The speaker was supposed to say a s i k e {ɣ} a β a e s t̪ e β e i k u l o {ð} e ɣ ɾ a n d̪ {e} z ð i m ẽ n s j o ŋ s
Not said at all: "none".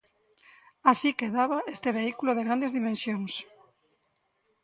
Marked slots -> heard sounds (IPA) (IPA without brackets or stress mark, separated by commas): ð, ð, e